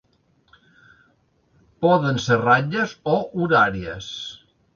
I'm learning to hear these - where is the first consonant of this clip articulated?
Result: lips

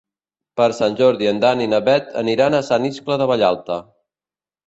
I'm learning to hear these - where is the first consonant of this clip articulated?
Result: lips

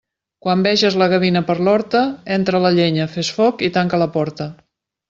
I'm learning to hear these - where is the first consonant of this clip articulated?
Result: velum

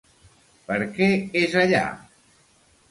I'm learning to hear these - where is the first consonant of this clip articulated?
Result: lips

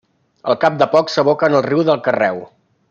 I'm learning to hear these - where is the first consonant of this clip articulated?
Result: tongue tip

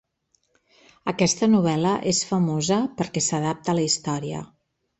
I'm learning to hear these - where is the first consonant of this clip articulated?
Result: velum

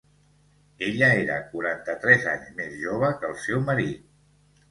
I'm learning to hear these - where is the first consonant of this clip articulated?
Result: palate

